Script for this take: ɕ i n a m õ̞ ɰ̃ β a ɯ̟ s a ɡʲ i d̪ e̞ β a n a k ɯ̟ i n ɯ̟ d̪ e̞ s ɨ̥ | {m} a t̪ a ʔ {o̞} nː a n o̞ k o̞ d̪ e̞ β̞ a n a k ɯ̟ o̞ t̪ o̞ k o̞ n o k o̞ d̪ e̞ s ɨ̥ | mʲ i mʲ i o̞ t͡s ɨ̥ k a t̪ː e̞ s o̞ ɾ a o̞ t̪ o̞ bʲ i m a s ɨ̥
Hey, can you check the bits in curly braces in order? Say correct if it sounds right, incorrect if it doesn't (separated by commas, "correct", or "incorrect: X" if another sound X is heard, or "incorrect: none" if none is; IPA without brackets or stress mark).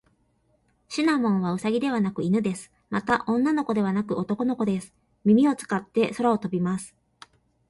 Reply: correct, incorrect: õ̞